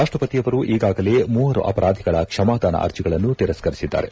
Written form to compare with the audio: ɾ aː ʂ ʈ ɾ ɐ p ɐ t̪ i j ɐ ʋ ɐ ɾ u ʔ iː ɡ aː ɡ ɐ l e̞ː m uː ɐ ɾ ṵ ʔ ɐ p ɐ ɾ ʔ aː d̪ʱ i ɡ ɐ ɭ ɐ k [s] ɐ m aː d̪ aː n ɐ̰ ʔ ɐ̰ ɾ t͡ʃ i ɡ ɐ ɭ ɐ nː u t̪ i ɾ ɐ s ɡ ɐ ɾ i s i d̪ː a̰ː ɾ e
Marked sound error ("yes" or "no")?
yes